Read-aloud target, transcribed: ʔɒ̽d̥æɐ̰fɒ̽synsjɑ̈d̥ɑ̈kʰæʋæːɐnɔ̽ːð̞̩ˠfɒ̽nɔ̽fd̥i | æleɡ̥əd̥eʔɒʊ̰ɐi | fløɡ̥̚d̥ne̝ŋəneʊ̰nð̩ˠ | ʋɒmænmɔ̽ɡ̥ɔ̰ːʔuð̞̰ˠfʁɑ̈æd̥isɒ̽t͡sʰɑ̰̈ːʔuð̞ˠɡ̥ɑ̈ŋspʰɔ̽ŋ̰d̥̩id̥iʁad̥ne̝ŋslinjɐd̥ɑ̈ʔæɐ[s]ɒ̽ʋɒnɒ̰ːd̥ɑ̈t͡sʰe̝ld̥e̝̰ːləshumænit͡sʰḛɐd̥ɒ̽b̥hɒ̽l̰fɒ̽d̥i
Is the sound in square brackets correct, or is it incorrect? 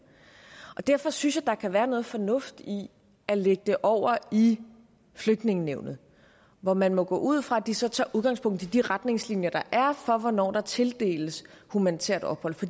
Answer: incorrect